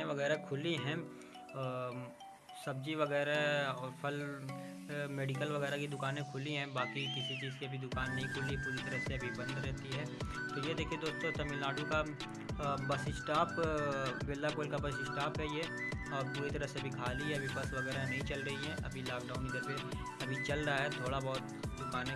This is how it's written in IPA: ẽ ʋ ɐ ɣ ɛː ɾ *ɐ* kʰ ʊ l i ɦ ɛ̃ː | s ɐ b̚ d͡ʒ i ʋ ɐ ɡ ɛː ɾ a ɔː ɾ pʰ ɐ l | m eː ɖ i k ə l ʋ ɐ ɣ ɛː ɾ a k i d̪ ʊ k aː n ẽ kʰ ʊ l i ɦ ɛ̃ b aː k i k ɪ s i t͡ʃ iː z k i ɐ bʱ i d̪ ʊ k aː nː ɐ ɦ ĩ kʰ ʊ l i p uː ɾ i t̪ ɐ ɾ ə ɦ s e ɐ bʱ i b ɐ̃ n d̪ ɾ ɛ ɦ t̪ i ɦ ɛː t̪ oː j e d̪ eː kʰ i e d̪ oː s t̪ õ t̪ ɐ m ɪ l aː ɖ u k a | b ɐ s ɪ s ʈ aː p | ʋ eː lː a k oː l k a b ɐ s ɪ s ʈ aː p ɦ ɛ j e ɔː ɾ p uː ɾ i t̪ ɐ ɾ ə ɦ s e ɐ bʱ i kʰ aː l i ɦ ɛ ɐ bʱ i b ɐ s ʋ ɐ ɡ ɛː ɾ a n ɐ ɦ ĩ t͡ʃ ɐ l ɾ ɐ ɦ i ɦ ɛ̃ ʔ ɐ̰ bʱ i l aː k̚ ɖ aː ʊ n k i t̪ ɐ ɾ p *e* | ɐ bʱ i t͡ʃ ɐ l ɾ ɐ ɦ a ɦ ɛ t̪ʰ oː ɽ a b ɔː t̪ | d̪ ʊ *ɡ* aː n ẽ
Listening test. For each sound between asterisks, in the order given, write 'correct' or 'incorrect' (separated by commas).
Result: incorrect, correct, incorrect